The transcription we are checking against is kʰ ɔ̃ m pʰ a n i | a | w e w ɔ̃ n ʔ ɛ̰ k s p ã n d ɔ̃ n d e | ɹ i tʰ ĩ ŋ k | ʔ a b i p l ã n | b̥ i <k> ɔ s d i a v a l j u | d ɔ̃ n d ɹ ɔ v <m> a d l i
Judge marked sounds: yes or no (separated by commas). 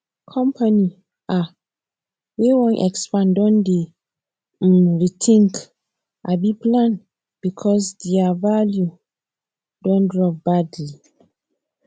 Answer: no, no